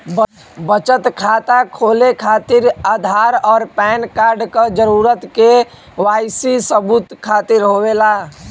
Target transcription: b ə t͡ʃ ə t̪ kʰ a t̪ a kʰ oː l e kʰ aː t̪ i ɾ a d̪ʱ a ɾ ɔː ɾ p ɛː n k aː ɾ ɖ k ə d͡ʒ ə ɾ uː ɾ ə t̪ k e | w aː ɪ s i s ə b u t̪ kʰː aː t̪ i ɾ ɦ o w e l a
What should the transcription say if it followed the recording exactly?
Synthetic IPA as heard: b ə t͡ʃ ə t̪ kʰ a t̪ a kʰ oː l e kʰ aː t̪ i ɾ a d̪ʱ a ɾ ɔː ɾ p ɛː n k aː ɾ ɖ k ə d͡ʒ ə ɾ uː ɾ ə t̪ k e | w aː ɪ s i s ə b u t̪ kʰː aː t̪ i ɾ ɦ o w e l a